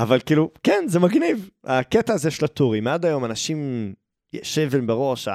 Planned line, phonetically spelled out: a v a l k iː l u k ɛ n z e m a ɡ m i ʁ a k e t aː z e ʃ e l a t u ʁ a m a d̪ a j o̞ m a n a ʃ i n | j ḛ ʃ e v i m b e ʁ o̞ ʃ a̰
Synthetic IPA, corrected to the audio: a v a l k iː l u k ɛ n z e m a ɡ n i v a k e t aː z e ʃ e l a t u ʁ i m a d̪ a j o̞ m a n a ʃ i m | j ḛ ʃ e v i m b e ʁ o̞ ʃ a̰